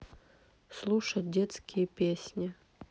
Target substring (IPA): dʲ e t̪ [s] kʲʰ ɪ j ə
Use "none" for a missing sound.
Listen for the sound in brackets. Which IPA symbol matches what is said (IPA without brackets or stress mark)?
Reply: s